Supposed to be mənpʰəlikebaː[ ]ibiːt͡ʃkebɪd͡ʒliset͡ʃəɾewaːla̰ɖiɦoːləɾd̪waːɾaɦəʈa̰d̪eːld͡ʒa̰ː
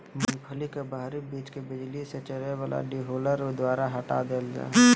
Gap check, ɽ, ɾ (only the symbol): ɾ